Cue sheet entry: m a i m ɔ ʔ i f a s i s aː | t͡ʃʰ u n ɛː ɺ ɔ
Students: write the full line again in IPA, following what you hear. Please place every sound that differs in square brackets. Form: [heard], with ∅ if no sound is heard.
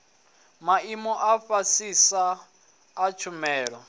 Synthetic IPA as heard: m a i m ɔ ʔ [a] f a s i s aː | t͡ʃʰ u [m] ɛː ɺ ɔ